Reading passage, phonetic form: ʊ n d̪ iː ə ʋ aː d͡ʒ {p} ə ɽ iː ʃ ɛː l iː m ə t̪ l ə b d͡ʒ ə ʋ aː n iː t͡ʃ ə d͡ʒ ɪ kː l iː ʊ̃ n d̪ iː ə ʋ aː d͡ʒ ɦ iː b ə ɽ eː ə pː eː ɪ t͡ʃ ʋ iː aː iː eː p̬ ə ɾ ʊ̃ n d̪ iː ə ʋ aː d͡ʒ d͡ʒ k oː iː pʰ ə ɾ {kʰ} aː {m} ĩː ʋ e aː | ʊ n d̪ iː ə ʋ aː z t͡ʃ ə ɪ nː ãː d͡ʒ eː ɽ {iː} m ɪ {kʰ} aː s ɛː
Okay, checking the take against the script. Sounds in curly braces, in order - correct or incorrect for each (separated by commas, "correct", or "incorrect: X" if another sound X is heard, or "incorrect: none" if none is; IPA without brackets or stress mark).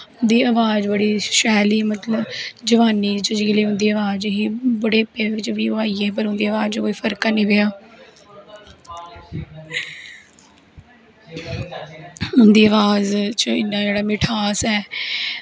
incorrect: b, incorrect: k, incorrect: n, incorrect: aː, incorrect: ʈʰ